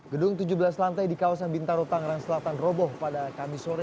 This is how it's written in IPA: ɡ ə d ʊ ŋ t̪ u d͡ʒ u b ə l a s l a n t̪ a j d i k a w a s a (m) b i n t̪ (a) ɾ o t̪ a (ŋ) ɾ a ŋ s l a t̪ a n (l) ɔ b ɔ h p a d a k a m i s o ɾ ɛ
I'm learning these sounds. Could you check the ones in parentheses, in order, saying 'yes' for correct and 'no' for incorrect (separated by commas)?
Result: no, yes, yes, no